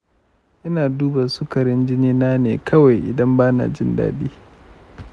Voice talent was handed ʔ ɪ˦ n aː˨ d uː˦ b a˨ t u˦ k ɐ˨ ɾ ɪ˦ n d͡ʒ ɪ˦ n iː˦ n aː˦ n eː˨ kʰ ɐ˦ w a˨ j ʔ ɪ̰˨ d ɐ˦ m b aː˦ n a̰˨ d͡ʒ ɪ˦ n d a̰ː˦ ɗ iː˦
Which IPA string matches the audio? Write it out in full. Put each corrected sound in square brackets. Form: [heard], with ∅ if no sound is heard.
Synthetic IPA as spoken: ʔ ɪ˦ n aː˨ d uː˦ b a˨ [s] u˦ k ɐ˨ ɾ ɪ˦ n d͡ʒ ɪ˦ n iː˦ n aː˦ n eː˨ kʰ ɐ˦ w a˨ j ʔ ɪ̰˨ d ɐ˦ m b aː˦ n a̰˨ d͡ʒ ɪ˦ n d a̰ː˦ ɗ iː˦

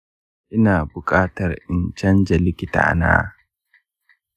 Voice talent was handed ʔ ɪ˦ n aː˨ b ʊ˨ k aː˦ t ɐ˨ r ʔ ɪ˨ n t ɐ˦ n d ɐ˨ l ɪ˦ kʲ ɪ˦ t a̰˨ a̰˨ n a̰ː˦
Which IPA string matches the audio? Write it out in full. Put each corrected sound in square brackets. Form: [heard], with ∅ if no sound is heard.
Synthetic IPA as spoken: ʔ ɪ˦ n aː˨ b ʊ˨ [kʼ] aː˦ t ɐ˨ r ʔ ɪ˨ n [t͡ʃ] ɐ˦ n [d͡ʒ] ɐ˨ l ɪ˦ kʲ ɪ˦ t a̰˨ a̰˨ n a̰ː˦

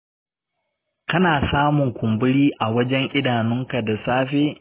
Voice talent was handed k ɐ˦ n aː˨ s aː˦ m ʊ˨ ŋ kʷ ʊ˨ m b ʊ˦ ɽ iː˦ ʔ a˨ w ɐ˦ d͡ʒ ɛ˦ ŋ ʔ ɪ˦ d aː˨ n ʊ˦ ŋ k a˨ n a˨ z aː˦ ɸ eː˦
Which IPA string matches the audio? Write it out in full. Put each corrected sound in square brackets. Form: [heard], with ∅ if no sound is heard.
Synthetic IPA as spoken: k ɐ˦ n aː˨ s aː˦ m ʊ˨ ŋ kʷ ʊ˨ m b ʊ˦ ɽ iː˦ ʔ a˨ w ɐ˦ d͡ʒ ɛ˦ ŋ ʔ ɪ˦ d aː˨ n ʊ˦ ŋ k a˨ [d] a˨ [s] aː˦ ɸ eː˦

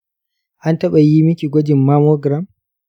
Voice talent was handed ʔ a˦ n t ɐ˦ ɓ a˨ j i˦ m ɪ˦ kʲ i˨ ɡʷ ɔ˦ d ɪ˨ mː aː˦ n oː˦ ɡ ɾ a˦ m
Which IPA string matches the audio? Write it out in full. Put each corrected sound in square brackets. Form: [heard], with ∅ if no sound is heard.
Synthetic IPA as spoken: ʔ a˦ n t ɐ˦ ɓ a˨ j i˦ m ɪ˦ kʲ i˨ ɡʷ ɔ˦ [d͡ʒ] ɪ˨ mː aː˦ [m] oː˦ ɡ ɾ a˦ m

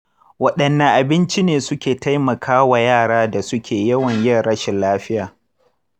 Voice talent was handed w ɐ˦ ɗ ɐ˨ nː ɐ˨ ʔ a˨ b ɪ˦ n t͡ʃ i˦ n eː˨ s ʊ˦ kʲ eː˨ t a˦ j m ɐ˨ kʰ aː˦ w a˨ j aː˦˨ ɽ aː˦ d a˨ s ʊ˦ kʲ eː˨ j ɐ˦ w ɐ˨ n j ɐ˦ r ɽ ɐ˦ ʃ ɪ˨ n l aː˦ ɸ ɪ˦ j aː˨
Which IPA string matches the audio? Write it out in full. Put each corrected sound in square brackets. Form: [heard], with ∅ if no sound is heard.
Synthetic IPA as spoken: w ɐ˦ ɗ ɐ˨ nː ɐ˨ ʔ a˨ b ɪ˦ n t͡ʃ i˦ n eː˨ s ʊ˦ kʲ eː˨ t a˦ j m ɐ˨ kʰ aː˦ w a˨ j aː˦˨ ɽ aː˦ d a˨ s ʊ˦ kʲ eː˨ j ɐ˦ w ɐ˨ [ɲ] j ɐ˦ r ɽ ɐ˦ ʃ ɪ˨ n l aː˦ ɸ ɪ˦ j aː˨

